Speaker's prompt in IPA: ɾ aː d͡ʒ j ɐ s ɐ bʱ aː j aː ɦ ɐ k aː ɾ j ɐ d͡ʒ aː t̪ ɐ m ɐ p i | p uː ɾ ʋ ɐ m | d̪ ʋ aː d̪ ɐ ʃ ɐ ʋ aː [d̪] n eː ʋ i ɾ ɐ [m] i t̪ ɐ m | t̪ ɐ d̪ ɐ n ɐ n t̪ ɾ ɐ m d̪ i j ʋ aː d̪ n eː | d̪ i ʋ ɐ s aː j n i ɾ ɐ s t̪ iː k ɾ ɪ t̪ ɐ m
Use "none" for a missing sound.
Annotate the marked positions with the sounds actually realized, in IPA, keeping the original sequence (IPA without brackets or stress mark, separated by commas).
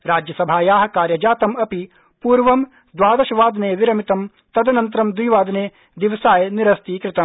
d̪, m